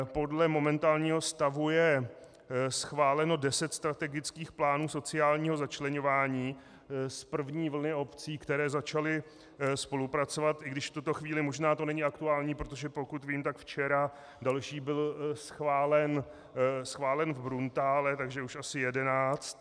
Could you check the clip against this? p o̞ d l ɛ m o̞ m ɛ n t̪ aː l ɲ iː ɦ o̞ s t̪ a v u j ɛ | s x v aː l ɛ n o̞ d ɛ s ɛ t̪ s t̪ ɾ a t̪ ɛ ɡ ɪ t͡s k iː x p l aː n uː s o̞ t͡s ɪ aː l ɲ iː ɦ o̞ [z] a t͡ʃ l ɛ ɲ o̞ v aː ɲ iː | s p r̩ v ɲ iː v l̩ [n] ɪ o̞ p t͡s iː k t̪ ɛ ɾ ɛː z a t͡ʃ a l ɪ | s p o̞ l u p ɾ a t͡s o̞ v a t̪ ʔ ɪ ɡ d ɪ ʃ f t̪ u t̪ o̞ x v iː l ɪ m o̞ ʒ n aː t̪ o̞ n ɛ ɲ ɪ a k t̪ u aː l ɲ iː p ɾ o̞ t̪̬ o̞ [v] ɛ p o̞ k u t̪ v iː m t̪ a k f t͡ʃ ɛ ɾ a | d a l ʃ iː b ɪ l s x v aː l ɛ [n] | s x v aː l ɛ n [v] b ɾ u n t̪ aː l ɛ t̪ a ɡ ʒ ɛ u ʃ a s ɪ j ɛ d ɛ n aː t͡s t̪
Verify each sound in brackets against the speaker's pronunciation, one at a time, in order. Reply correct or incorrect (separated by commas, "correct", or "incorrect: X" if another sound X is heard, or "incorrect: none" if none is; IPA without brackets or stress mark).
correct, correct, incorrect: ʒ, correct, correct